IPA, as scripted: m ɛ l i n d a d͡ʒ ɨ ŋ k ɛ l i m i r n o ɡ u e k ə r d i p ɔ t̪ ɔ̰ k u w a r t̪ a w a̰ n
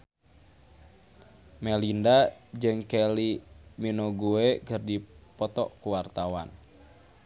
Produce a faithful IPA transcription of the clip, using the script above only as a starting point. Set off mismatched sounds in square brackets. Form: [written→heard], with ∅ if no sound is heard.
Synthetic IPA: m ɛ l i n d a d͡ʒ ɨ ŋ k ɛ l i m i [r→∅] n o ɡ u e k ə r d i p ɔ t̪ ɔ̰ k u w a r t̪ a w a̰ n